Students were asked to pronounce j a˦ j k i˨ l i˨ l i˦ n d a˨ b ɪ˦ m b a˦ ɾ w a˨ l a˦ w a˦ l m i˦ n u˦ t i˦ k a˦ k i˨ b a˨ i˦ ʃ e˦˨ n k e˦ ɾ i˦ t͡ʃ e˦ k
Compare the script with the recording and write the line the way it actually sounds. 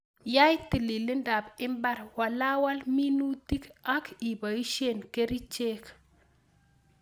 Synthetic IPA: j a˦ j t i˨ l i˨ l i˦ n d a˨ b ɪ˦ m b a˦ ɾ w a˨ l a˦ w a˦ l m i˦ n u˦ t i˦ k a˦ k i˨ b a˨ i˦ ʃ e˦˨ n k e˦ ɾ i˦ t͡ʃ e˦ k

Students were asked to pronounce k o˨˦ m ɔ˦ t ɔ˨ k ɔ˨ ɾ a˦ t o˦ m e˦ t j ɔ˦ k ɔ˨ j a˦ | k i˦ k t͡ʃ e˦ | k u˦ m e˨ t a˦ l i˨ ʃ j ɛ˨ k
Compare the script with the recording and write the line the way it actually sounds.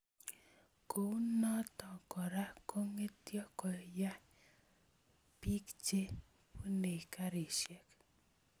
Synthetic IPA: k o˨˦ n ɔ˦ t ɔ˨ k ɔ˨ ɾ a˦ k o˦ ŋ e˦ t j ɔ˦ k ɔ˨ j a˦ | p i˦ k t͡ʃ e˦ | p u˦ n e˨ k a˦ ɾ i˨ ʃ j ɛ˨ k

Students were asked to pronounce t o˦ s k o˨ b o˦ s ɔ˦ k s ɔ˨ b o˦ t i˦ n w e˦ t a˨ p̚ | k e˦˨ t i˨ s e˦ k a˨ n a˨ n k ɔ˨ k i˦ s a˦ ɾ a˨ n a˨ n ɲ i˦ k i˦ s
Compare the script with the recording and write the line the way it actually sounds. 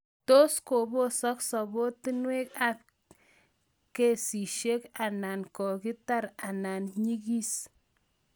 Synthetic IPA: t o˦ s k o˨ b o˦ s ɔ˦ k s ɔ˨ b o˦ t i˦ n w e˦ k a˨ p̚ | k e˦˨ s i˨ ʃ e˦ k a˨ n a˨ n k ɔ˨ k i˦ t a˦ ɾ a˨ n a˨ n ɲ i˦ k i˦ s

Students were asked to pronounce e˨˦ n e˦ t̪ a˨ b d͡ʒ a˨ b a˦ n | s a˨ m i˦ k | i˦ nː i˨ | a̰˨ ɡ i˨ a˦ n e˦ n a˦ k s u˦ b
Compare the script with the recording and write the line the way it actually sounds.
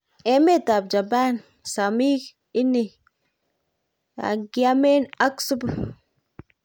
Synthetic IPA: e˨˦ m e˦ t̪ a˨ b d͡ʒ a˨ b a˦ n | s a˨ m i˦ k | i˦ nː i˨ | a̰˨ ɡ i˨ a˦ m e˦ n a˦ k s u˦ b

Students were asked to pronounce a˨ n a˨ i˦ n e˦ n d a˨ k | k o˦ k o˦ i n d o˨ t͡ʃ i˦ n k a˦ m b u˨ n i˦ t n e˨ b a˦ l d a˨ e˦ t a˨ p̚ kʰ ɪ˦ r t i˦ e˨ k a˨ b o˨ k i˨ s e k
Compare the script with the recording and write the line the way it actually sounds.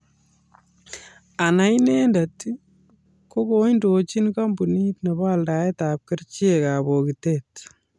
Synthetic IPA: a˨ n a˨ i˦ n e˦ n d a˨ t | k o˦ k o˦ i n d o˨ t͡ʃ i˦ n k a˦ m b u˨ n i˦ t n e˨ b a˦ l d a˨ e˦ t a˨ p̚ k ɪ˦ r t͡ʃ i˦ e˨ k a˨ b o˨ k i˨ t e t

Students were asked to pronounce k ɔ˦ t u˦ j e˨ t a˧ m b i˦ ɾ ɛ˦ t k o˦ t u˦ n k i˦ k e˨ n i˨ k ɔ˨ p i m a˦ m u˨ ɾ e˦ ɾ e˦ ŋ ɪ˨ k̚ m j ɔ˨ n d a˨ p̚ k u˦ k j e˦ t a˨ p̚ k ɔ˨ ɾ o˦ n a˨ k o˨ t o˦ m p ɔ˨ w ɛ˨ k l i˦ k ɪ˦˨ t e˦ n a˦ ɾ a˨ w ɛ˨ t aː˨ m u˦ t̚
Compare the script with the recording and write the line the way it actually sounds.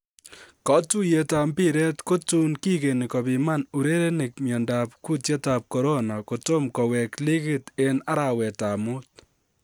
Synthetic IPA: k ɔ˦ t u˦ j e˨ t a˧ m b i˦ ɾ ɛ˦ t k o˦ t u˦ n k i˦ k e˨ n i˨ k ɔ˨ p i m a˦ n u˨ ɾ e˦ ɾ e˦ n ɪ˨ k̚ m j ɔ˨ n d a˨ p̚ k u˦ t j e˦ t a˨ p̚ k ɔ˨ ɾ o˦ n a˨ k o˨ t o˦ m k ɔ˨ w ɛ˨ k l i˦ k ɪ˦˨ t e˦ n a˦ ɾ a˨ w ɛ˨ t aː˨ m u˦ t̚

